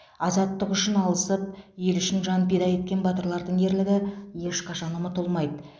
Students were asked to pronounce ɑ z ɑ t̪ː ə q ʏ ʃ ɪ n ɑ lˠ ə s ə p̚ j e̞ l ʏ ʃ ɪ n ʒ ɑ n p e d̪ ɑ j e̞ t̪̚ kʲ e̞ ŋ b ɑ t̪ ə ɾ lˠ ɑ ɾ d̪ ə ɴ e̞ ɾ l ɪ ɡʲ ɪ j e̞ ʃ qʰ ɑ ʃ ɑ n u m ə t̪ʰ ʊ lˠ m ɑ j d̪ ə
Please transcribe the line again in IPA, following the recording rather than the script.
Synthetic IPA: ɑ z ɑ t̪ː ə q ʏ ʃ ɪ n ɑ lˠ ə s ə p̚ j e̞ l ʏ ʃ ɪ n ʒ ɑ n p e d̪ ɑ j e̞ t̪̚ kʲ e̞ n b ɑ t̪ ə ɾ lˠ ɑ ɾ d̪ ə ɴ e̞ ɾ l ɪ ɡʲ ɪ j e̞ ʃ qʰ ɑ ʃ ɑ n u m ə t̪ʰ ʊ lˠ m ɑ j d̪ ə